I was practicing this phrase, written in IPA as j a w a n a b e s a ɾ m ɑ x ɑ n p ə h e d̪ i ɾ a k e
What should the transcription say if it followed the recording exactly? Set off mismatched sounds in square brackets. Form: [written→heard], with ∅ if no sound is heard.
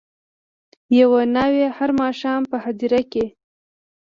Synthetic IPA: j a w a n a [b→w] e [s→h] a ɾ m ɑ [x→ʃ] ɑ [n→m] p ə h [e→a] d̪ i ɾ a k e